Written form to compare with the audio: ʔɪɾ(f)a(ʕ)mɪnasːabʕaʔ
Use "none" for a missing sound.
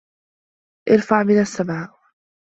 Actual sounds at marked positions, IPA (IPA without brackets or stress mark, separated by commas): f, ʕ